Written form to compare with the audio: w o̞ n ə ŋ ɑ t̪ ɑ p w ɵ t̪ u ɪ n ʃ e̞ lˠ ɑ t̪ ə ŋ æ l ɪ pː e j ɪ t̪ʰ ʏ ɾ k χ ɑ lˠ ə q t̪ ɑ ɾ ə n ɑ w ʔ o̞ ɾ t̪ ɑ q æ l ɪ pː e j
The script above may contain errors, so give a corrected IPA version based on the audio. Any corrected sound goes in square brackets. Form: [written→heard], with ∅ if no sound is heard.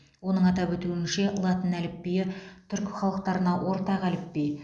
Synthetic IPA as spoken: w o̞ n ə [ŋ→ɴ] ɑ t̪ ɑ p w ɵ t̪ u ɪ n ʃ e̞ lˠ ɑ t̪ ə [ŋ→n] æ l ɪ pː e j ɪ t̪ʰ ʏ ɾ k χ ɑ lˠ ə q t̪ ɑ ɾ ə n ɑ w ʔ o̞ ɾ t̪ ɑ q æ l ɪ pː e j